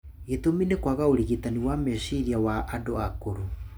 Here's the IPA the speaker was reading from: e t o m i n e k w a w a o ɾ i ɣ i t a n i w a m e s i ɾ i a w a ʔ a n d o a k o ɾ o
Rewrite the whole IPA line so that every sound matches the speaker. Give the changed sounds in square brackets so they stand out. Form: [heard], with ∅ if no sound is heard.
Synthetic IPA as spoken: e t o m i n e k w a [ɣ] a o ɾ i ɣ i t a n i w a m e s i ɾ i a w a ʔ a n d o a k o ɾ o